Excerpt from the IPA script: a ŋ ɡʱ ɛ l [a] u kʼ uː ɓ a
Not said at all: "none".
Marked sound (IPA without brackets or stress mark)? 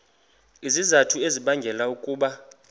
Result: a